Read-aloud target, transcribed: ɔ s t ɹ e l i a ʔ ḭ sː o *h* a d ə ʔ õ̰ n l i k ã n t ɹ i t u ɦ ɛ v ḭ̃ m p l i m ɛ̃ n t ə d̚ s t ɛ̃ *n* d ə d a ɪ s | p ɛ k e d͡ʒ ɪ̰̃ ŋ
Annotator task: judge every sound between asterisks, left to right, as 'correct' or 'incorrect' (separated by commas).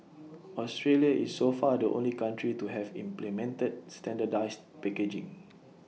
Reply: incorrect, correct